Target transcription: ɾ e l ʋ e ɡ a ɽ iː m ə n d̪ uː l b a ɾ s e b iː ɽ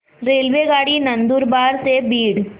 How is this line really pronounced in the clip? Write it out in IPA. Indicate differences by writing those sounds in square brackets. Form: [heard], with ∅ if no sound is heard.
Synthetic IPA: ɾ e l ʋ e ɡ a ɽ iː [n] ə n d̪ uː [ɾ] b a ɾ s e b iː ɽ